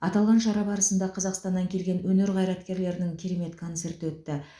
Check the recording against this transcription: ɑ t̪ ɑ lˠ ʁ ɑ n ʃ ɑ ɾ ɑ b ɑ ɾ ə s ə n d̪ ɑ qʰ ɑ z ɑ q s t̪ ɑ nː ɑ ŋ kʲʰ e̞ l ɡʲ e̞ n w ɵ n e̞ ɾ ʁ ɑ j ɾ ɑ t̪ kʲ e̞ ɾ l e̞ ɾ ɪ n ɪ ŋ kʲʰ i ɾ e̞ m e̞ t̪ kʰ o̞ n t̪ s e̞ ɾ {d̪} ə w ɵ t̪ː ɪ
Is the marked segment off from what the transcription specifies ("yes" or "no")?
yes